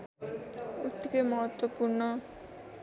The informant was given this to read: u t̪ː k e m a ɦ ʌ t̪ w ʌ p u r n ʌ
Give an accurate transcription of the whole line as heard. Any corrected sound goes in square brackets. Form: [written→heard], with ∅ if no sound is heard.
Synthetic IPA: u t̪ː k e m [a→ʌ] ɦ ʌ t̪ w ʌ p u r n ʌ